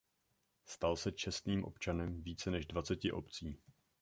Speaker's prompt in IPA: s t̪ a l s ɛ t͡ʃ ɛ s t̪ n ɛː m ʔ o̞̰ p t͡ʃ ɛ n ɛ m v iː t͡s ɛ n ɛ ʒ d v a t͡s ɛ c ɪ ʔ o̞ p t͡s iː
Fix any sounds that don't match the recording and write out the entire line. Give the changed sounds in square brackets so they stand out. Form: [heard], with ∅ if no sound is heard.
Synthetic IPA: s t̪ a l s ɛ t͡ʃ ɛ s t̪ n [iː] m ʔ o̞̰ p t͡ʃ [a] n ɛ m v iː t͡s ɛ n ɛ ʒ d v a t͡s ɛ c ɪ ʔ o̞ p t͡s iː